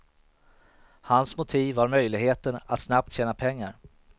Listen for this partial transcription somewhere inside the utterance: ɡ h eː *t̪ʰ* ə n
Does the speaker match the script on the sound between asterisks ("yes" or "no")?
no